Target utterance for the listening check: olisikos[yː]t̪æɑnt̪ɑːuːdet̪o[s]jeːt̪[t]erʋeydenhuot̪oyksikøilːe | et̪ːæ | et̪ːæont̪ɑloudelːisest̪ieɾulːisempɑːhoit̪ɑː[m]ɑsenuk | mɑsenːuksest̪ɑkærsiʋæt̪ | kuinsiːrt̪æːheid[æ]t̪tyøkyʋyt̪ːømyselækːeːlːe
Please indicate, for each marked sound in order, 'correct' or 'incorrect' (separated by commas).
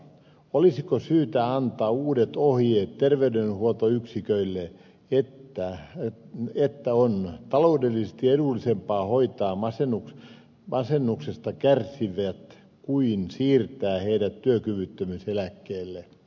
correct, incorrect, correct, correct, correct